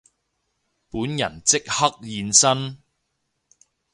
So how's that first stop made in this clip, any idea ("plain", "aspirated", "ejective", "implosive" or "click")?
plain